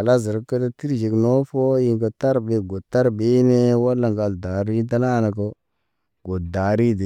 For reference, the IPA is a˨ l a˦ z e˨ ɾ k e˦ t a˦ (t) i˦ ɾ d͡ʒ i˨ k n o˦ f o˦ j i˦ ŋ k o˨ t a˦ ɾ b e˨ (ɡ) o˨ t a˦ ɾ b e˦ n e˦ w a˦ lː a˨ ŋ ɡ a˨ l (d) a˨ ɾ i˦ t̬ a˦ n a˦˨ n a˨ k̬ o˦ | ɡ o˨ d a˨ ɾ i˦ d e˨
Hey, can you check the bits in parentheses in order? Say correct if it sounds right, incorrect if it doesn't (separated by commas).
correct, correct, correct